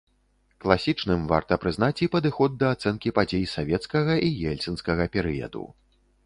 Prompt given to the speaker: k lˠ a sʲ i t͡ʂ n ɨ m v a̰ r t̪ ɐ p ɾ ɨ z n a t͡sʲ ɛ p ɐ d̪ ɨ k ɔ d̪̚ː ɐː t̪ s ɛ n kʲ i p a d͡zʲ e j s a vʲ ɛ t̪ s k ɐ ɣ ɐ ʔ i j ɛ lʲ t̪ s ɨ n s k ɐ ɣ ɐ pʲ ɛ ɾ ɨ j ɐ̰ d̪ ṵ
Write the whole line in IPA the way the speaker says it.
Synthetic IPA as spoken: k lˠ a sʲ i t͡ʂ n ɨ m v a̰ r t̪ ɐ p ɾ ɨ z n a t͡sʲ i p ɐ d̪ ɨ x ɔ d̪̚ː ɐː t̪ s ɛ n kʲ i p a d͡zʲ e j s a vʲ ɛ t̪ s k ɐ ɣ ɐ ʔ i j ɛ lʲ t̪ s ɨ n s k ɐ ɣ ɐ pʲ ɛ ɾ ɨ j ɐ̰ d̪ ṵ